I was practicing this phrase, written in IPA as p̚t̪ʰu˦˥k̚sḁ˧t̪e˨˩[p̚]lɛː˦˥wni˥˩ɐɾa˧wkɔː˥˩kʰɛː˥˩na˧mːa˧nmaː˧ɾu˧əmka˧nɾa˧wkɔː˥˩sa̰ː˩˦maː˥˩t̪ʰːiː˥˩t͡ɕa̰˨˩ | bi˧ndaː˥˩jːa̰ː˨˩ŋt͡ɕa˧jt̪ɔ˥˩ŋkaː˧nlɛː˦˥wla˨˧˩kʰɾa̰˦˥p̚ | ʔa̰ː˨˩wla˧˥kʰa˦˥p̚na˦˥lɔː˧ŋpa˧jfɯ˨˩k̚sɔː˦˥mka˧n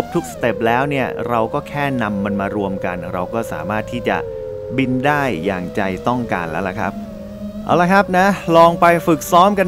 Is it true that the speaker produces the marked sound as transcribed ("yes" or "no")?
yes